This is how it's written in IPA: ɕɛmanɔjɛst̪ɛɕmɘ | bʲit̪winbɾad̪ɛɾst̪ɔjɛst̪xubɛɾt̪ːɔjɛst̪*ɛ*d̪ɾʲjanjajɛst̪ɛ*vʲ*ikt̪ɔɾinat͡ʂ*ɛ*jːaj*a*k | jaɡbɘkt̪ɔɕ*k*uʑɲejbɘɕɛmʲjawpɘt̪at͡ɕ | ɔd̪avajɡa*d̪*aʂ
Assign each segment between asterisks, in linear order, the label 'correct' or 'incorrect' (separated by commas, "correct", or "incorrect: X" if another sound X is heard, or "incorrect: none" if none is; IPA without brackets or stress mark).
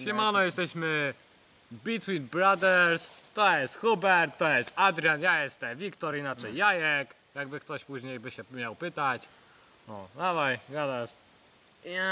incorrect: a, correct, correct, incorrect: ɛ, incorrect: p, correct